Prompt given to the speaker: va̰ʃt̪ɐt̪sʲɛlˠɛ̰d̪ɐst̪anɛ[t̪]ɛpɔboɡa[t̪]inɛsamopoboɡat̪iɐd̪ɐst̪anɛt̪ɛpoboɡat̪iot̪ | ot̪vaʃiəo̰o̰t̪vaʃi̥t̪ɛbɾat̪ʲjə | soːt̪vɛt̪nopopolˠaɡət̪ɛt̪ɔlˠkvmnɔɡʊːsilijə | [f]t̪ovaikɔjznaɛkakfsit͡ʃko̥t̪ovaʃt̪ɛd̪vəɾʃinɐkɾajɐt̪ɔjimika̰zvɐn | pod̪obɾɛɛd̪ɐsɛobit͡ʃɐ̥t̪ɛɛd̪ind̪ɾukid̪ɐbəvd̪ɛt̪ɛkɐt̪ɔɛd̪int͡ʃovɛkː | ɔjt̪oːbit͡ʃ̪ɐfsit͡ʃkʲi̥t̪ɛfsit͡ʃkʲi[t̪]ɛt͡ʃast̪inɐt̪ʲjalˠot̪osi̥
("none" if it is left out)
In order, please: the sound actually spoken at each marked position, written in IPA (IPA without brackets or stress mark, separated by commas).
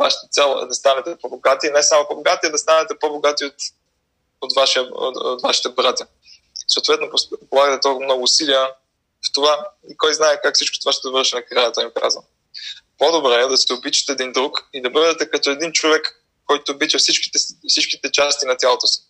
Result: t̪, t̪, f, t̪